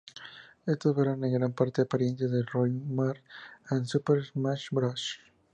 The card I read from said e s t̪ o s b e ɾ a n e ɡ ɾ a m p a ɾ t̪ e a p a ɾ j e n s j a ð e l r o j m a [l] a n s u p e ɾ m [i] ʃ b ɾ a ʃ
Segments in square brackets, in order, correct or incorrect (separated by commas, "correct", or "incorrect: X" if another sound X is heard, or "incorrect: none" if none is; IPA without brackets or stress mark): incorrect: ɾ, incorrect: a